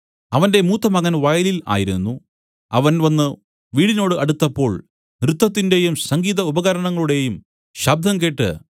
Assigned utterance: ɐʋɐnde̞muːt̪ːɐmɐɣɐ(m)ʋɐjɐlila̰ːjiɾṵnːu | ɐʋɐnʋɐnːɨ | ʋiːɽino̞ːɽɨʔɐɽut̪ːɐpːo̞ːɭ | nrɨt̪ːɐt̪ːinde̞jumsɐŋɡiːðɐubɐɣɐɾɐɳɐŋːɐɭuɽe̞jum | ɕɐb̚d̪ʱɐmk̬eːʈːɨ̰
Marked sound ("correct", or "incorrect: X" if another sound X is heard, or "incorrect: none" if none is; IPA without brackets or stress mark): incorrect: n